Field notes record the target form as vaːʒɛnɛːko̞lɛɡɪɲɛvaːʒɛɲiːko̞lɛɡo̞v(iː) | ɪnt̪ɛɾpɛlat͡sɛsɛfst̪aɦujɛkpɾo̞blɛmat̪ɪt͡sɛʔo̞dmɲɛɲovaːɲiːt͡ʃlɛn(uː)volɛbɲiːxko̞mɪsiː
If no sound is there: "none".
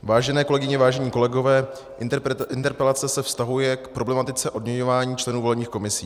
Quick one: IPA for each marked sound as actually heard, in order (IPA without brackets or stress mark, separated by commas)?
ɛː, uː